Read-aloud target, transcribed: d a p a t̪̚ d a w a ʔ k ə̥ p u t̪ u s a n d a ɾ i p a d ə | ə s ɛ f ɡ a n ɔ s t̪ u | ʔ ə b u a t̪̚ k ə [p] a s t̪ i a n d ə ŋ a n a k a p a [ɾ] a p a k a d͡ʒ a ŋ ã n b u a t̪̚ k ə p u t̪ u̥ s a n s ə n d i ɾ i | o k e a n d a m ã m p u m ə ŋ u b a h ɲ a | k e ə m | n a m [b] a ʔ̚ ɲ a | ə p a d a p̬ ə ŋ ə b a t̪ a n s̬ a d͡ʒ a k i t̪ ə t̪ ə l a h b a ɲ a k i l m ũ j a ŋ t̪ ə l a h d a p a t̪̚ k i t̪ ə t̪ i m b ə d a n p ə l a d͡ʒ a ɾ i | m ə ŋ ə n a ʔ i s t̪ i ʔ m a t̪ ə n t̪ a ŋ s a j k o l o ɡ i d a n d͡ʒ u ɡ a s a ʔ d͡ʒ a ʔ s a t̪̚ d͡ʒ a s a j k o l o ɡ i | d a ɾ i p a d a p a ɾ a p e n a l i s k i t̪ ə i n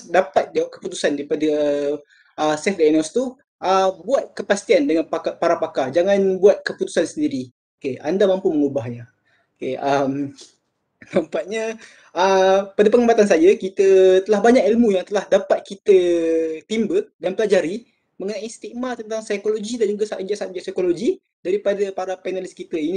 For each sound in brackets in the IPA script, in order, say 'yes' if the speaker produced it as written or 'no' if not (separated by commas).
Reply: yes, yes, no